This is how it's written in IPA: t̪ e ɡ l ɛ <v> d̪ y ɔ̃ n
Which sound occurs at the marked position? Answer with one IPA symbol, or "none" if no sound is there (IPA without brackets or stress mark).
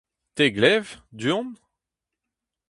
v